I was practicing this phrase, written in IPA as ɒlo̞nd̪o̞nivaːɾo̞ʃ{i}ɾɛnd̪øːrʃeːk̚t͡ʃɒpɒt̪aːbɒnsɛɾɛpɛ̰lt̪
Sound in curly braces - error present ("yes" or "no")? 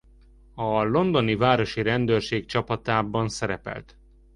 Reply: no